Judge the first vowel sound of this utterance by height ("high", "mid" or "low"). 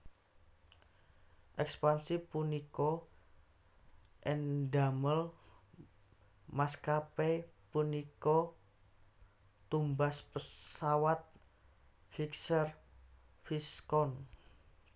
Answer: mid